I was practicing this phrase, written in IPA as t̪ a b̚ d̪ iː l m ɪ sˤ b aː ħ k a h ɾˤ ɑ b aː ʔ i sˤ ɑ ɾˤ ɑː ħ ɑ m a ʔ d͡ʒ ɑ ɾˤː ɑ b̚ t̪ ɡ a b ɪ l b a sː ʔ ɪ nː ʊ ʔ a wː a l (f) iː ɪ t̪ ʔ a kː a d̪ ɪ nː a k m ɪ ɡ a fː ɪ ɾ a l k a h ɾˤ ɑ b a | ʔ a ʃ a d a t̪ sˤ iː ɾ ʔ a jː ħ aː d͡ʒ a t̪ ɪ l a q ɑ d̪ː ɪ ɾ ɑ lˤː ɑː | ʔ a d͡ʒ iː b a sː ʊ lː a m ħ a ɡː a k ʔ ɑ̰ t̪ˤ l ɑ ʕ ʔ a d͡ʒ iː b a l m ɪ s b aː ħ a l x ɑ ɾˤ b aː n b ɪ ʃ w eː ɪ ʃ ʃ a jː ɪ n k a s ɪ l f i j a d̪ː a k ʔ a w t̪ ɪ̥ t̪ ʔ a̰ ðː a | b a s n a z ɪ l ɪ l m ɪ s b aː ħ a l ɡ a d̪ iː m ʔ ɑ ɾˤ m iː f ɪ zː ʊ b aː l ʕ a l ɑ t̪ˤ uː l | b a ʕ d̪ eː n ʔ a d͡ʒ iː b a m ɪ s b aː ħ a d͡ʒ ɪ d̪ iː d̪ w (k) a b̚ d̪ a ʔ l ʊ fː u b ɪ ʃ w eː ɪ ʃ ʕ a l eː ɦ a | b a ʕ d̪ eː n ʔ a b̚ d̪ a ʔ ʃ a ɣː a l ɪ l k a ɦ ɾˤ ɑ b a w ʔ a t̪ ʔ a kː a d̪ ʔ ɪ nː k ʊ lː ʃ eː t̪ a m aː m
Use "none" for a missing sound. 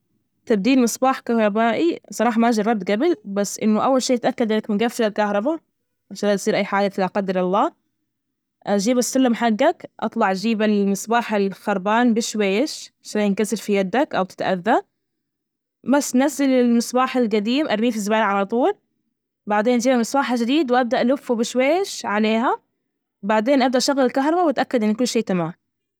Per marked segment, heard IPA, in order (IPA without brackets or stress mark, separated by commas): ʃ, ʔ